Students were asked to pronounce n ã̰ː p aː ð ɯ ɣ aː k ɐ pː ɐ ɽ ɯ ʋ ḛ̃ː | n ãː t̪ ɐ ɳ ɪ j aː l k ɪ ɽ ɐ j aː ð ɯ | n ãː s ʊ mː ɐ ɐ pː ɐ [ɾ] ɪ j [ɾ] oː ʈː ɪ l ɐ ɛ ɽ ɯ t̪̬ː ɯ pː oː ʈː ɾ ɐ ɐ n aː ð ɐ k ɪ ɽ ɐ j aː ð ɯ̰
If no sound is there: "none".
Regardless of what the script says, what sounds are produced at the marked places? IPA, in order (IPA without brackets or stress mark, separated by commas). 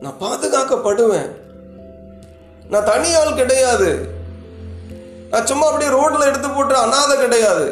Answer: ɽ, ɾ